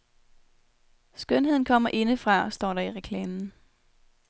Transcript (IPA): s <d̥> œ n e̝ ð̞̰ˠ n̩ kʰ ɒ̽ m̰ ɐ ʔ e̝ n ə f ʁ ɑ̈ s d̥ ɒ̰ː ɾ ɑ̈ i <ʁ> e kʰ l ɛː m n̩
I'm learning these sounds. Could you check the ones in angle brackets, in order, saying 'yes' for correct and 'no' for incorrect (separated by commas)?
no, yes